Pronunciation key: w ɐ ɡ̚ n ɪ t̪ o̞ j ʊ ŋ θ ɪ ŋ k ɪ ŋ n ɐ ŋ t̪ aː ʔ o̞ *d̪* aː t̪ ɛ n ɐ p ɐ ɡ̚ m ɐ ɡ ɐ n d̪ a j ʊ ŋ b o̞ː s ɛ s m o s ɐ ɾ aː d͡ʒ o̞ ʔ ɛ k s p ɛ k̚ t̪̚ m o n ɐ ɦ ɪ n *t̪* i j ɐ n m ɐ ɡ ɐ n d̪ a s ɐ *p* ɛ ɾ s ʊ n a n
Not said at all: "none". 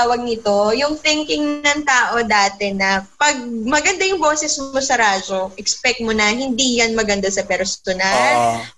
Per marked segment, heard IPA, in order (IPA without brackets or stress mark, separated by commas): d̪, d̪, p